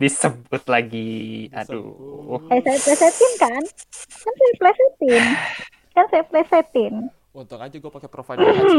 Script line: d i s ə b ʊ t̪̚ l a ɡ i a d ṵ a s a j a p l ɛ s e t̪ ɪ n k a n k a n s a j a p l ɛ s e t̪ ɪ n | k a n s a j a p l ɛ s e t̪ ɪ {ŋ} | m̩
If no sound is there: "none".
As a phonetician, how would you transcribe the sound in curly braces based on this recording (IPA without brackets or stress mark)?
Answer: n